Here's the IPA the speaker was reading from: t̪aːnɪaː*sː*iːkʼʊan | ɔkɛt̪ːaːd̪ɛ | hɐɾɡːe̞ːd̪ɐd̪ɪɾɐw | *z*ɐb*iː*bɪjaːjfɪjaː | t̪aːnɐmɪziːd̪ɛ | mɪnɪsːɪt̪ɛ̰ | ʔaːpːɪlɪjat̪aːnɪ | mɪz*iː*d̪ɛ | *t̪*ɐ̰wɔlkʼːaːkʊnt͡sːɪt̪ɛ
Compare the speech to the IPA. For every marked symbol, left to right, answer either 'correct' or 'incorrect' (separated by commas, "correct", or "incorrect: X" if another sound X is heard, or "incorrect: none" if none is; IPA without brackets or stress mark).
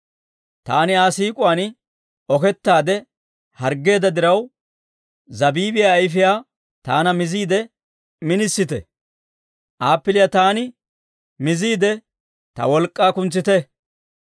incorrect: s, correct, correct, correct, correct